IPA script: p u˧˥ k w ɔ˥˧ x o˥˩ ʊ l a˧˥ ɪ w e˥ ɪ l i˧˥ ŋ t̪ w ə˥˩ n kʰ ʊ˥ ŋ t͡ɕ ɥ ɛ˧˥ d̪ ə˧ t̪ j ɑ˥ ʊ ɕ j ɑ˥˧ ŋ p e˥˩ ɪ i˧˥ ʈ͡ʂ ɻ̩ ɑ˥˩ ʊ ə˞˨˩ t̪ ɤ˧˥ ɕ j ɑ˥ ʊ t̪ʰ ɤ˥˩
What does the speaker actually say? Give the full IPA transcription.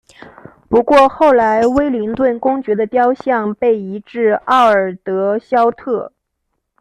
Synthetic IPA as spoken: p u˧˥ k w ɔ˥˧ x o˥˩ ʊ l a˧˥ ɪ w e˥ ɪ l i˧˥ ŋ t̪ w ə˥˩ n k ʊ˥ ŋ t͡ɕ ɥ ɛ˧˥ d̪ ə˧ t̪ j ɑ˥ ʊ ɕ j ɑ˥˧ ŋ p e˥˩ ɪ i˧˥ ʈ͡ʂ ɻ̩ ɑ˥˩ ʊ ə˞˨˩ t̪ ɤ˧˥ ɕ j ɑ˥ ʊ t̪ʰ ɤ˥˩

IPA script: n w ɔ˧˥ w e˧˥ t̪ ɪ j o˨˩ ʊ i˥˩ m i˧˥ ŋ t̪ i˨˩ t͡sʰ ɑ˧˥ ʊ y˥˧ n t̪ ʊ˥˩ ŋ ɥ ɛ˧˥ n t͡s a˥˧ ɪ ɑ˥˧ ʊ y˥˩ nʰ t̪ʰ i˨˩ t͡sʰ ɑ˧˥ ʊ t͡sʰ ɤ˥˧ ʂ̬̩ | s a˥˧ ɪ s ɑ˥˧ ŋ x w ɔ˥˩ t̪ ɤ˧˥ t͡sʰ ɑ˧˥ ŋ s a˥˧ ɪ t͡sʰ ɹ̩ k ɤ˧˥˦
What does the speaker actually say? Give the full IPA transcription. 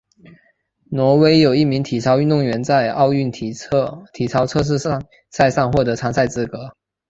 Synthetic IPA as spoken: n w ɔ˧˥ w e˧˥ ɪ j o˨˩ ʊ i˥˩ m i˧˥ ŋ t̪ʰ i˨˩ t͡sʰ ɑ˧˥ ʊ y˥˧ n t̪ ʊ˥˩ ŋ ɥ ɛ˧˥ n t͡s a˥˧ ɪ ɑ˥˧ ʊ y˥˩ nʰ t̪ʰ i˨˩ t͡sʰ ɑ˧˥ ʊ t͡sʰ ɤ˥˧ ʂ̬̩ | s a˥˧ ɪ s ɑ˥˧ ŋ x w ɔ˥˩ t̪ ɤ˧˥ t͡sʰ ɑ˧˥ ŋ s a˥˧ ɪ t͡s ɹ̩ k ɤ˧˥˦

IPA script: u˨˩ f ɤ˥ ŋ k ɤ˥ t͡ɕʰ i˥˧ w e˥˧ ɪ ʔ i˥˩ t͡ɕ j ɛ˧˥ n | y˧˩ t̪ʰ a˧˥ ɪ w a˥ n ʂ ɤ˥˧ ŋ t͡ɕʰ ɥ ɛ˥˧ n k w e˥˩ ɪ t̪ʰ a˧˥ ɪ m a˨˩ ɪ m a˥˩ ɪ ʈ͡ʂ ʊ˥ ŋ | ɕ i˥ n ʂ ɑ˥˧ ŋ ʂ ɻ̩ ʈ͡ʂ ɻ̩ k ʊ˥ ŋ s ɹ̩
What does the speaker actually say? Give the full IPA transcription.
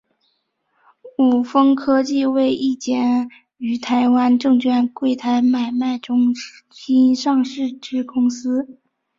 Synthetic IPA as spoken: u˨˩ f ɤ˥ ŋ kʰ ɤ˥ t͡ɕ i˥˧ w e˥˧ ɪ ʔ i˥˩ t͡ɕ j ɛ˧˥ n | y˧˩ t̪ʰ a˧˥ ɪ w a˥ n ʈ͡ʂ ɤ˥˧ ŋ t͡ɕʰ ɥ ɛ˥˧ n k w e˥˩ ɪ t̪ʰ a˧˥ ɪ m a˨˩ ɪ m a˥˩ ɪ ʈ͡ʂ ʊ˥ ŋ | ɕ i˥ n ʂ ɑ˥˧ ŋ ʂ ɻ̩ ʈ͡ʂ ɻ̩ k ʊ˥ ŋ s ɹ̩

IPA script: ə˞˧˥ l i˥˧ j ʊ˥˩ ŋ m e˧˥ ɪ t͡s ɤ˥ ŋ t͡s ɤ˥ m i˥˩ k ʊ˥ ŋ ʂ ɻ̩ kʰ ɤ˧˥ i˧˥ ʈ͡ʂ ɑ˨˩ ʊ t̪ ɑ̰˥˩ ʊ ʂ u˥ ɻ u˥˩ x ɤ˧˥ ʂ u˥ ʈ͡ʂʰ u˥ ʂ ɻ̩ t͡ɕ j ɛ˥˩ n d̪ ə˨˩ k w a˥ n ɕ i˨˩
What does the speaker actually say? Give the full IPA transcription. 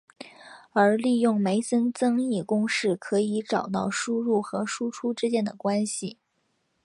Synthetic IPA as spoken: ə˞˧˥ l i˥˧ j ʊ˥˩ ŋ m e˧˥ ɪ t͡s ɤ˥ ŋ t͡s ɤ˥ ŋ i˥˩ k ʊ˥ ŋ ʂ ɻ̩ kʰ ɤ˧˥ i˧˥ ʈ͡ʂ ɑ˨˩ ʊ t̪ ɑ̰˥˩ ʊ ʂ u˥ ɻ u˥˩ x ɤ˧˥ ʂ u˥ ʈ͡ʂʰ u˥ ʈ͡ʂ ɻ̩ t͡ɕ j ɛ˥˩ n d̪ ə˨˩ k w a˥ n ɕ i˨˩

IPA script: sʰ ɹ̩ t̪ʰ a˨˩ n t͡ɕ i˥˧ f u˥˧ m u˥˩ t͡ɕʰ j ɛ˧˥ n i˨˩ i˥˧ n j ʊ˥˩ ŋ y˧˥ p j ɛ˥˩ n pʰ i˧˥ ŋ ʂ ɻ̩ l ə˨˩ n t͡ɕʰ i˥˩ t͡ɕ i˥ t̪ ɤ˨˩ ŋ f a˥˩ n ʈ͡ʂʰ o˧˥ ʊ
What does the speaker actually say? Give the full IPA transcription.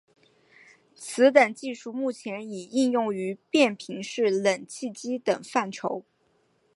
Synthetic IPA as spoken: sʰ ɹ̩ t̪ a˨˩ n t͡ɕ i˥˧ ʂ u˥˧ m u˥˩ t͡ɕʰ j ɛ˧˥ n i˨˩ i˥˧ n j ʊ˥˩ ŋ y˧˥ p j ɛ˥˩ n pʰ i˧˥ ŋ ʂ ɻ̩ l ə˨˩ n t͡ɕʰ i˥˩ t͡ɕ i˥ t̪ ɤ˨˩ ŋ f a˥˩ n ʈ͡ʂʰ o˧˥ ʊ

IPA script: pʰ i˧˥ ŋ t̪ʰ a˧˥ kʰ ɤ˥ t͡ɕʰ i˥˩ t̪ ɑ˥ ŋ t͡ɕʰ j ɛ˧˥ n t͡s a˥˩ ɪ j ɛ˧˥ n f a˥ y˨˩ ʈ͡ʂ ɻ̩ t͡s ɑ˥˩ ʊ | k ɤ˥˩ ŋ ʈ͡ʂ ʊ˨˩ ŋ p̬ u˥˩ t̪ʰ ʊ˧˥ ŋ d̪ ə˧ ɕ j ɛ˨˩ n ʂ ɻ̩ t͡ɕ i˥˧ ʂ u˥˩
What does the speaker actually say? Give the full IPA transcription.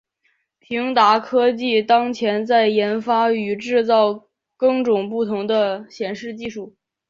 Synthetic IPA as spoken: pʰ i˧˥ ŋ t̪ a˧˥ kʰ ɤ˥ t͡ɕ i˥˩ t̪ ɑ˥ ŋ t͡ɕʰ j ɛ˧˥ n t͡s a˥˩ ɪ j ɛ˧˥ n f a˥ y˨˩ ʈ͡ʂ ɻ̩ t͡s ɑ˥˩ ʊ | k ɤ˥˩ ŋ ʈ͡ʂ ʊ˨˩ ŋ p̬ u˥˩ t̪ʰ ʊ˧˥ ŋ d̪ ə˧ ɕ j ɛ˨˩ n ʂ ɻ̩ t͡ɕ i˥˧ ʂ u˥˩

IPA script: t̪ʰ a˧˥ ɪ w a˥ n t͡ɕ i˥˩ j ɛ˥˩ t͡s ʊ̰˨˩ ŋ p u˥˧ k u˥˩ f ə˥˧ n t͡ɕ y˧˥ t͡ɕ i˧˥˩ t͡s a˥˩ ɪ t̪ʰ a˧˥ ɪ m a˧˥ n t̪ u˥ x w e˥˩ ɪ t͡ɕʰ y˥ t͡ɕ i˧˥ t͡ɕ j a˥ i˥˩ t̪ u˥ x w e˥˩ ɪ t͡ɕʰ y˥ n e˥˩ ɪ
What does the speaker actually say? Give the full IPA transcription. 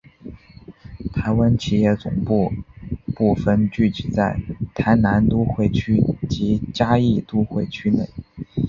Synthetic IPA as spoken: t̪ʰ a˧˥ ɪ w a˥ n t͡ɕʰ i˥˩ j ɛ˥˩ t͡s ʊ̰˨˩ ŋ p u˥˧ p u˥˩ f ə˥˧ n t͡ɕ y˥˩ t͡ɕ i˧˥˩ t͡s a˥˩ ɪ t̪ʰ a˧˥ ɪ n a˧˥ n t̪ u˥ x w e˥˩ ɪ t͡ɕʰ y˥ t͡ɕ i˧˥ t͡ɕ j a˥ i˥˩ t̪ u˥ x w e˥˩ ɪ t͡ɕʰ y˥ n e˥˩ ɪ

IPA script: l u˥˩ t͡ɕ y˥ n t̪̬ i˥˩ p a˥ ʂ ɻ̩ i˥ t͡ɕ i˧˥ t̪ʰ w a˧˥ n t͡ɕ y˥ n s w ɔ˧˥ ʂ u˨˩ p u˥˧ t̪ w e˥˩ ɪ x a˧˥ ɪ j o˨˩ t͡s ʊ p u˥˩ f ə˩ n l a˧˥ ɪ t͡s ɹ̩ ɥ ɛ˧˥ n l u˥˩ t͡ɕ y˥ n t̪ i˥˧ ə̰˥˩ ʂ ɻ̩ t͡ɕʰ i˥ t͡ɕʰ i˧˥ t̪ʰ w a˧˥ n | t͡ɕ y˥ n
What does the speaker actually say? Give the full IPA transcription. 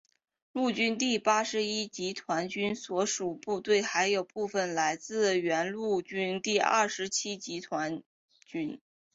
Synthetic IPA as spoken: l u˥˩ t͡ɕ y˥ n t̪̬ i˥˩ p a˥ ʂ ɻ̩ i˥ t͡ɕ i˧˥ t̪ʰ w a˧˥ n t͡ɕ y˥ n s w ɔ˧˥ ʂ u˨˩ p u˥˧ t̪ w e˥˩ ɪ x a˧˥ ɪ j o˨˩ ʊ p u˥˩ f ə˩ n l a˧˥ ɪ t͡s ɹ̩ ɥ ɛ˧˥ n l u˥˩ t͡ɕ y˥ n t̪ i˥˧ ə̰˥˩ ʂ ɻ̩ t͡ɕʰ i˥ t͡ɕ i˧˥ t̪ʰ w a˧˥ n | t͡ɕ y˥ n

